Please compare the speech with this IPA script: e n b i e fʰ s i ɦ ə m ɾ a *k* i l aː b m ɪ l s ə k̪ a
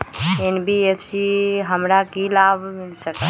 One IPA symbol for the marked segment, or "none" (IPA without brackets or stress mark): k